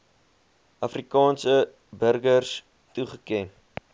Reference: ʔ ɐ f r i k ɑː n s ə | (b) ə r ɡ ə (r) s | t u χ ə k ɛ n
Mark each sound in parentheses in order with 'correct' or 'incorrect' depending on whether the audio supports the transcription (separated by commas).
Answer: correct, correct